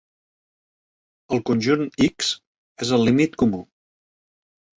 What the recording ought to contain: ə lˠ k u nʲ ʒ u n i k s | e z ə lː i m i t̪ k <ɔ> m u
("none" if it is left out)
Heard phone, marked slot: u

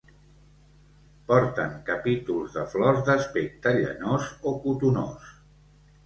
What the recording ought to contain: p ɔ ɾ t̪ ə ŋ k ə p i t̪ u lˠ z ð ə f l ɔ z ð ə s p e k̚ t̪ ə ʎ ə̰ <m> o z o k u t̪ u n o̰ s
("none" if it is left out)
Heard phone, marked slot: n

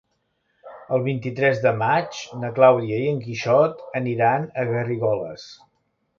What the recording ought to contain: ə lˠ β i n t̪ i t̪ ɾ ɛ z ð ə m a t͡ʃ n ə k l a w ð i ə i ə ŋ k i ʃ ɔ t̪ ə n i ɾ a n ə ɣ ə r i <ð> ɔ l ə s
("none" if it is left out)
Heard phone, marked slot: ɣ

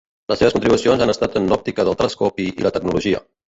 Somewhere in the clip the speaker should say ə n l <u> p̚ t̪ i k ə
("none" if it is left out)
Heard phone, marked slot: ɔ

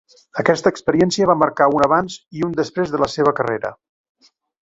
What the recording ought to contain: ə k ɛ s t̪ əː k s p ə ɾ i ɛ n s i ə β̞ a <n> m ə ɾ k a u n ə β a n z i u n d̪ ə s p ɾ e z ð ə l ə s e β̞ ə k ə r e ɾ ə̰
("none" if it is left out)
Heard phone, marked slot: none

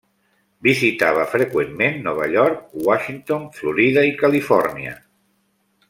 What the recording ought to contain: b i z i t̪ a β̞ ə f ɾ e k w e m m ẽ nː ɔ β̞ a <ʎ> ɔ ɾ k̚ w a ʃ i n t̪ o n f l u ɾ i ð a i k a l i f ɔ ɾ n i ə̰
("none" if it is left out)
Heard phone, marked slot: ʎ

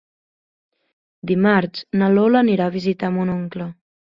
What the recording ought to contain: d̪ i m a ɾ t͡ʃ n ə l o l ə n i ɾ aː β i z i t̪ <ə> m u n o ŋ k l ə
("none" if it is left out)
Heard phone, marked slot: a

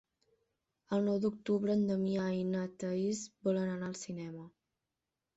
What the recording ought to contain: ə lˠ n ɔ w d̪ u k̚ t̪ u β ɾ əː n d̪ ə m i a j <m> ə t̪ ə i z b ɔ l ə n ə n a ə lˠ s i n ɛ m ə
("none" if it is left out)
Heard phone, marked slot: n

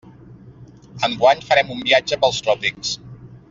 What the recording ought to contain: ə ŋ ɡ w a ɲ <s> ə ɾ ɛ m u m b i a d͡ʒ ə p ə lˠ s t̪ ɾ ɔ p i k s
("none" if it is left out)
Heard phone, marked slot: f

